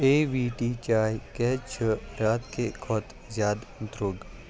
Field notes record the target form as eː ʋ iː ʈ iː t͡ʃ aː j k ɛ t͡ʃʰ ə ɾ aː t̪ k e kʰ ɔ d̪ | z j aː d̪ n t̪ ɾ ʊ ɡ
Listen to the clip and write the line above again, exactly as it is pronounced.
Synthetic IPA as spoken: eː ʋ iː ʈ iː t͡ʃ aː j k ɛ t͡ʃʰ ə ɾ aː t̪ k e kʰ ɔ t̪ | z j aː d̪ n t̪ ɾ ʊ ɡ